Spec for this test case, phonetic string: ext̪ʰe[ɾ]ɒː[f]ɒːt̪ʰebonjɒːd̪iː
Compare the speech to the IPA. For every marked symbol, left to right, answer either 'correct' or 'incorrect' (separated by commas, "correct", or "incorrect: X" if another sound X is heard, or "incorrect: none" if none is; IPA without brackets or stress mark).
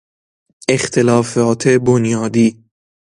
incorrect: l, correct